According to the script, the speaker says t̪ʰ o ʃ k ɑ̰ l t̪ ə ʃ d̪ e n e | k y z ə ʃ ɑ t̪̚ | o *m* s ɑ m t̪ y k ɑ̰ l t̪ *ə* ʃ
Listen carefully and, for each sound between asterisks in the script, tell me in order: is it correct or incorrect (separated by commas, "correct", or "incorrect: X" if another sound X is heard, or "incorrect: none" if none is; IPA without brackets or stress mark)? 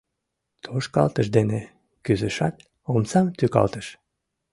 correct, correct